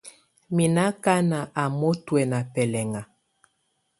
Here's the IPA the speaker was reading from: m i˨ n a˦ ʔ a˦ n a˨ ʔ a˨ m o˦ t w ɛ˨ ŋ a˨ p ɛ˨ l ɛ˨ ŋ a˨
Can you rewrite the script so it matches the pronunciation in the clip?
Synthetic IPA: m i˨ n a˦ k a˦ n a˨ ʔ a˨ m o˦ t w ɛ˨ n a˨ p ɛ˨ l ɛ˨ ŋ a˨

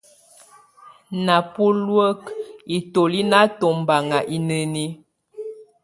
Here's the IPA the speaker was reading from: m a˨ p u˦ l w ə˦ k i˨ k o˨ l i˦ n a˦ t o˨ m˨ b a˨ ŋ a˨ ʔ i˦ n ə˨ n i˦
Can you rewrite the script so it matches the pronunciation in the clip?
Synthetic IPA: n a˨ p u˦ l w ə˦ k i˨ t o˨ l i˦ n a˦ t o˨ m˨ b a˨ ŋ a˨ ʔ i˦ n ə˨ n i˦

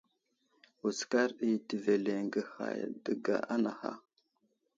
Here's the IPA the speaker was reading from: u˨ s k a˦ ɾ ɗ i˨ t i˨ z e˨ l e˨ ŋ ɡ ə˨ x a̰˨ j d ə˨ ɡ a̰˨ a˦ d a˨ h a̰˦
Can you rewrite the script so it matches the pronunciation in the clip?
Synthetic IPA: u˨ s k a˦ ɾ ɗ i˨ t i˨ v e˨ l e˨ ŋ ɡ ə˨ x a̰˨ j d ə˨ ɡ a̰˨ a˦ n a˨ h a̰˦

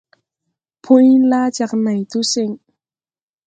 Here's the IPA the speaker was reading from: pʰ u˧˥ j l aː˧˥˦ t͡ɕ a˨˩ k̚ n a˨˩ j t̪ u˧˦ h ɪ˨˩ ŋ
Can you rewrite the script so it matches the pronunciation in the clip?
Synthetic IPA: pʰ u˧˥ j l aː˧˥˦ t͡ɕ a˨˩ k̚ n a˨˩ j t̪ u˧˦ s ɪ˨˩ ŋ

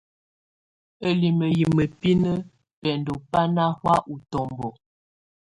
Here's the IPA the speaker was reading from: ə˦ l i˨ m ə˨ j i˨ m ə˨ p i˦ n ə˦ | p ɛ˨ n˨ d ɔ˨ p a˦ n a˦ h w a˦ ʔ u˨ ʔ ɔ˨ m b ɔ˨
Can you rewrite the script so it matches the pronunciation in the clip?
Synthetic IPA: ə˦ l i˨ m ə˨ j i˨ m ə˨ p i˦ n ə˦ | p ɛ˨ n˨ d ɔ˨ p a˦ n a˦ h w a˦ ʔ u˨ t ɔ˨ m b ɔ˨

